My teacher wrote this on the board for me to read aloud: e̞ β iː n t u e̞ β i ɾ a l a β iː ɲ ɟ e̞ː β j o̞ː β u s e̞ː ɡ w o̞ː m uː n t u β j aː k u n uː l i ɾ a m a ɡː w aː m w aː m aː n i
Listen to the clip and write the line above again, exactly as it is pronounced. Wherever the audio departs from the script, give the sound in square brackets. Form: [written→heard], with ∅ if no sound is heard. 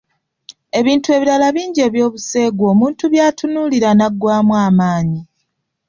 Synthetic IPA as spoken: e̞ β iː n t u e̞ β i ɾ a l a β iː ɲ ɟ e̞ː β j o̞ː β u s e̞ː ɡ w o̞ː m uː n t u β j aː [k→t] u n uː l i ɾ a [m→n] a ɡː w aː m w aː m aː [n→ɲ] i